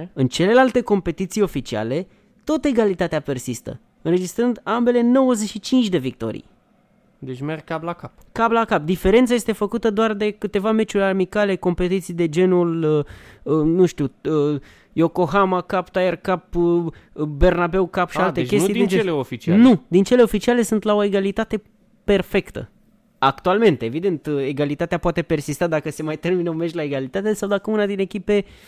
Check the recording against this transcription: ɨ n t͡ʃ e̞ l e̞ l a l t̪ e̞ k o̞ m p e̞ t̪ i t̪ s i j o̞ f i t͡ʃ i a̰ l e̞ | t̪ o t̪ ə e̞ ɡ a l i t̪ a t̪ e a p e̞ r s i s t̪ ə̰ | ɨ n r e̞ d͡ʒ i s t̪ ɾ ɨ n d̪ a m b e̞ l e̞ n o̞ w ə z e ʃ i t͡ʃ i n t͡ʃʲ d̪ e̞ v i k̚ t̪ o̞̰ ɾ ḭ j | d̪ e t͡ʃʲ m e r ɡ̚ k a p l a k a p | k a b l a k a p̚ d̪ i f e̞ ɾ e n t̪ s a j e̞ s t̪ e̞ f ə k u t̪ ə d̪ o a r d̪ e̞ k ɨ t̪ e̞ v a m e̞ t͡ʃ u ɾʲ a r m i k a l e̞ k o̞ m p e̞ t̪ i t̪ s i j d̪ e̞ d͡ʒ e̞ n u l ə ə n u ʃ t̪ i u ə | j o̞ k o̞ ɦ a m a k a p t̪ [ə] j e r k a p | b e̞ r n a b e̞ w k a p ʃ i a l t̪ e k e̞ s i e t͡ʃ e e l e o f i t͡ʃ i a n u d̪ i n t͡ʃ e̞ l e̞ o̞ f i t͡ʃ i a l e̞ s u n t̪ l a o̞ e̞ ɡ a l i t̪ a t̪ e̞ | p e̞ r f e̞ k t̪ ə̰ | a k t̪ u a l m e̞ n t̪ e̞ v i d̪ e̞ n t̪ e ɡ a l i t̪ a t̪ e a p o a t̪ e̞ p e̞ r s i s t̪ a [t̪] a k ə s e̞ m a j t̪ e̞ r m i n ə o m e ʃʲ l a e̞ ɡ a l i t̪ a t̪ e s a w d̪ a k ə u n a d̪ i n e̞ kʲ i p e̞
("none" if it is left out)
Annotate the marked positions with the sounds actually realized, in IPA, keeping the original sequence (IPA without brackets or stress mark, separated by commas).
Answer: a, d̪